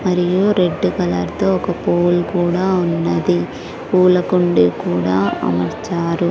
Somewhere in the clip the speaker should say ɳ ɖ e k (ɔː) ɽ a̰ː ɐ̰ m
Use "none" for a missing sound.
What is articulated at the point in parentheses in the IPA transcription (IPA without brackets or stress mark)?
uː